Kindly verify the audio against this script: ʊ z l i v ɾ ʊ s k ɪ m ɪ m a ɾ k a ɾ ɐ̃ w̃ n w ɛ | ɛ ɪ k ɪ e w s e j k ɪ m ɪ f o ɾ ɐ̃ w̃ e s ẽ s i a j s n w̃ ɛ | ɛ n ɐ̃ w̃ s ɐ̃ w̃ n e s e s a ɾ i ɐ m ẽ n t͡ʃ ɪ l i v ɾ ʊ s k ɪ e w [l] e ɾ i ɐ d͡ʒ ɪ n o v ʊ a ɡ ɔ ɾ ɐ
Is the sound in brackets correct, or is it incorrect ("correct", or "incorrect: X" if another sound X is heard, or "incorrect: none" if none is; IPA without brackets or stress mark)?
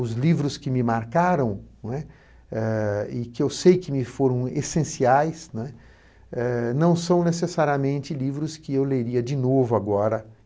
correct